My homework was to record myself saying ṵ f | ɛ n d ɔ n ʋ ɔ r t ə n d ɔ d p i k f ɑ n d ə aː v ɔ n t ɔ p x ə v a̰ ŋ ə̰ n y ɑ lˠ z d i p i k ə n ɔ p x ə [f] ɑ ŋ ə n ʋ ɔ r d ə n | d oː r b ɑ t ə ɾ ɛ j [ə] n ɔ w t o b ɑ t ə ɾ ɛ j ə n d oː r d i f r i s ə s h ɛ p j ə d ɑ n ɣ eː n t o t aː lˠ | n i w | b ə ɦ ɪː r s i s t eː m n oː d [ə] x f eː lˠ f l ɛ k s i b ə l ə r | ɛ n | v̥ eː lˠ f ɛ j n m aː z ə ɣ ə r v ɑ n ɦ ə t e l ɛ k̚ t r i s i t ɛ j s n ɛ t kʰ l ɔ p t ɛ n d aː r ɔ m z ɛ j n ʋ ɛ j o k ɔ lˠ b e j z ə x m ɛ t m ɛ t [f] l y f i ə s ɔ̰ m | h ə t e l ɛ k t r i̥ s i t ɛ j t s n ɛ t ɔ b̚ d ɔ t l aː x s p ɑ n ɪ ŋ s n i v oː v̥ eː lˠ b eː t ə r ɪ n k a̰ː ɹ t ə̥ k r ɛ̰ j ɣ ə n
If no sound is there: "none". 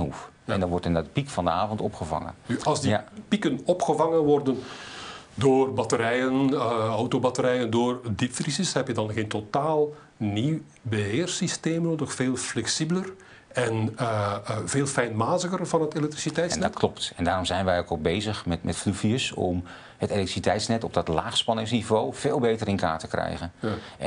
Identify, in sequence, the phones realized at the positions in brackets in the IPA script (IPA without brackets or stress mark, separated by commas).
v, ə, ə, f